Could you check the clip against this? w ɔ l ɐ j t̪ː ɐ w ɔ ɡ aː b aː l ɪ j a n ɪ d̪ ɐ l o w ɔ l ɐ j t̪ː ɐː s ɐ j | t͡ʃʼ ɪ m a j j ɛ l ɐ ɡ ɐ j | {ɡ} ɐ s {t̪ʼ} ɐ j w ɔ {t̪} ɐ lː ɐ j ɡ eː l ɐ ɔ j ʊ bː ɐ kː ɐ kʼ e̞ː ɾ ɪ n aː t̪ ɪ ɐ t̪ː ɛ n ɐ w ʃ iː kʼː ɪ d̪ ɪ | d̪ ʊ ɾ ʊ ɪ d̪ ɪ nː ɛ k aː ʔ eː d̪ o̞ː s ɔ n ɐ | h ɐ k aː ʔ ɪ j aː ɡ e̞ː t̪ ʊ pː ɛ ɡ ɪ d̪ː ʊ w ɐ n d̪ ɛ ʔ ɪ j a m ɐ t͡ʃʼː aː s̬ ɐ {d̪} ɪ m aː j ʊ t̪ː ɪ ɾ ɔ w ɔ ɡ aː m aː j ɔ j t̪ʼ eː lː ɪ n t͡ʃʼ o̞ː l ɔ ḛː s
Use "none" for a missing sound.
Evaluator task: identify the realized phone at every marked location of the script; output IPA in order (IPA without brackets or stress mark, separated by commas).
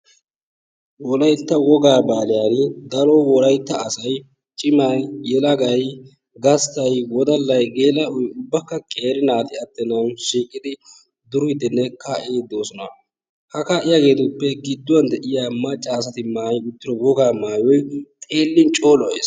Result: ɡ, t̪, d̪, t̪